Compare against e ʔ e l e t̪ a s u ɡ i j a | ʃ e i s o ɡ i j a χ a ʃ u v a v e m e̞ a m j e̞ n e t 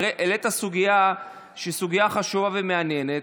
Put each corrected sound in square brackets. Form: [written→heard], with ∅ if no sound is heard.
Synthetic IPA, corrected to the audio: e ʔ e l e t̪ a s u ɡ i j a | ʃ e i s [o→u] ɡ i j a χ a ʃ u v a v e m e̞ a [m→n] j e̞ n e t